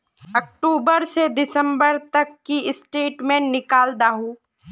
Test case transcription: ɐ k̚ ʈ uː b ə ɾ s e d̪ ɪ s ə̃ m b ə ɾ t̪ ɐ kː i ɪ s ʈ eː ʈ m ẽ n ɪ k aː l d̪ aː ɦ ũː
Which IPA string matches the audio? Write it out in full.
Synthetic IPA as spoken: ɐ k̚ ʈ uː b ə ɾ s e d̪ ɪ s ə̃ m b ə ɾ t̪ ɐ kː i ɪ s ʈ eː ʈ m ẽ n ɪ k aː l d̪ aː ɦ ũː